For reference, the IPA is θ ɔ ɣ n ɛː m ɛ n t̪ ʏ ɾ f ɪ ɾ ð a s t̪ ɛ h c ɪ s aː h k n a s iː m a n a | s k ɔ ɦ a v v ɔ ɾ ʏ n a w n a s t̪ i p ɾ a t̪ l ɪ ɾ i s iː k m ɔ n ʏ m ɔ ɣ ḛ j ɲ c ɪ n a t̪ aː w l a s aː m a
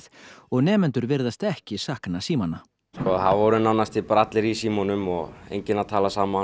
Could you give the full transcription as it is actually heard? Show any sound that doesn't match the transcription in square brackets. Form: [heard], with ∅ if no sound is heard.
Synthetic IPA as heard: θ ɔ ɣ n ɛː m ɛ n t̪ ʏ ɾ [v] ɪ ɾ ð a s t̪ ɛ h c ɪ s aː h k n a s iː m a n a | s k ɔ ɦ a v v ɔ ɾ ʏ n a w n a s t̪ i p ɾ a t̪ l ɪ ɾ i s iː [∅] m ɔ n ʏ m ɔ ɣ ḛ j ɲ c ɪ n a [t̪ʰ] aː [∅] l a s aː m a